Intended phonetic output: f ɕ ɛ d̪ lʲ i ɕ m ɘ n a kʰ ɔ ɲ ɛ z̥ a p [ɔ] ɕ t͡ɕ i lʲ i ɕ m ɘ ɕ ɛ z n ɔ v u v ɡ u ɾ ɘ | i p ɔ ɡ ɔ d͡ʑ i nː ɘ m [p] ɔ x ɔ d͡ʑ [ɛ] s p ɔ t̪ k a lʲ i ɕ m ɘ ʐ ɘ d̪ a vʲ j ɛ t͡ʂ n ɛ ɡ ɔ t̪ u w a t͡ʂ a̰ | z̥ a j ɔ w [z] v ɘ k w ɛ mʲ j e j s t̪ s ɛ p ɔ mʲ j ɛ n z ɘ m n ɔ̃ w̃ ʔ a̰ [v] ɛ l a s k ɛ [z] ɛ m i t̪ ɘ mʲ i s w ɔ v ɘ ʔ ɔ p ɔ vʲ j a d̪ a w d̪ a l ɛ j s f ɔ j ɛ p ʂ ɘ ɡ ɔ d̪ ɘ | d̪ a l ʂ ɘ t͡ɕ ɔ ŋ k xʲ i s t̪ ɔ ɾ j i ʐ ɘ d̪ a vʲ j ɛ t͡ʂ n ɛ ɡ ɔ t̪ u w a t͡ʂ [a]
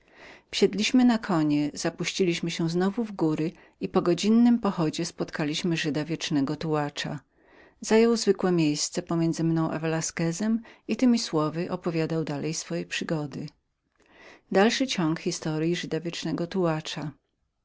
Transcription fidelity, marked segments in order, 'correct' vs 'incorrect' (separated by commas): incorrect, correct, correct, correct, correct, correct, correct